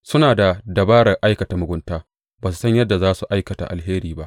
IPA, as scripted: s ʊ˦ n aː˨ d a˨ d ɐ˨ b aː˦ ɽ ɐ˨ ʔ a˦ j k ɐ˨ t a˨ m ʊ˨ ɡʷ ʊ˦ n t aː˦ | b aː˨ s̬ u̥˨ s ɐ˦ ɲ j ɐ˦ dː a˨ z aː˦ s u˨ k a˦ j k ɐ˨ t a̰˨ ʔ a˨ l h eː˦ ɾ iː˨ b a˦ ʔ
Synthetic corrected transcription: s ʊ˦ n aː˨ d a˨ d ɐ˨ b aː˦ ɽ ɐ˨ ʔ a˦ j k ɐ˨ t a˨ m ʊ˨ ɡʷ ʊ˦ n t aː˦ | b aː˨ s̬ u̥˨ s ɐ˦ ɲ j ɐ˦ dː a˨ z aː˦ s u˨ ʔ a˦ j k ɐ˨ t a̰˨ ʔ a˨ l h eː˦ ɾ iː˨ b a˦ ʔ